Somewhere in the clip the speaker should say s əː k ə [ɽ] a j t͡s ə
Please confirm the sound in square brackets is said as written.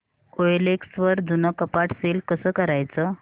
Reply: no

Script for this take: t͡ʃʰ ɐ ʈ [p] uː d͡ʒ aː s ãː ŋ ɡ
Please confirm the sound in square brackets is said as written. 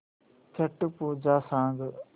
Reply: yes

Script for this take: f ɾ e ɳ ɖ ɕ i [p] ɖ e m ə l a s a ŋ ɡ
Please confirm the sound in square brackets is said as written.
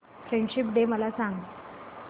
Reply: yes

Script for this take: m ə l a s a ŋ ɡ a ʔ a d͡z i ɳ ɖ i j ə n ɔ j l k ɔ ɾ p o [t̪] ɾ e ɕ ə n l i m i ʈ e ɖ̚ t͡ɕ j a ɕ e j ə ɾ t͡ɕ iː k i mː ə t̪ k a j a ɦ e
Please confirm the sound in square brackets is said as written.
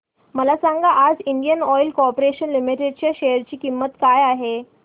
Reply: no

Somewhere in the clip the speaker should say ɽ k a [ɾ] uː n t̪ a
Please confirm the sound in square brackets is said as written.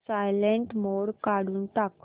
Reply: no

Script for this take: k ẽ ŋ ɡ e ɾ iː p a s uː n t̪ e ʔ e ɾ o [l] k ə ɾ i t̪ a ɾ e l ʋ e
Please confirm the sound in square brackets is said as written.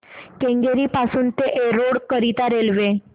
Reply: no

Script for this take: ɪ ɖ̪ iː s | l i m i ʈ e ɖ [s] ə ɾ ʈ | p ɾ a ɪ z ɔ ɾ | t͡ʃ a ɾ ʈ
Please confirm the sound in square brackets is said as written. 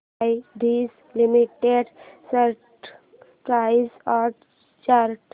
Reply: yes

